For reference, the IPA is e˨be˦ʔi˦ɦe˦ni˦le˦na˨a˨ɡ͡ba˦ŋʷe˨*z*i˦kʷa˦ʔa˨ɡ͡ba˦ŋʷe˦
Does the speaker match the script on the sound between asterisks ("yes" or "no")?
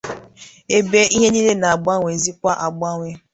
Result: yes